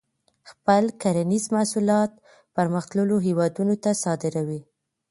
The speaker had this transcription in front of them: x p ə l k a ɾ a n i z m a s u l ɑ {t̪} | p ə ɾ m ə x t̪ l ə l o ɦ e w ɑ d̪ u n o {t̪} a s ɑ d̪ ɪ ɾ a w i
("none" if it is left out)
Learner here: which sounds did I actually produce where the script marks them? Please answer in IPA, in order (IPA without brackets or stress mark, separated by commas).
t̪, t̪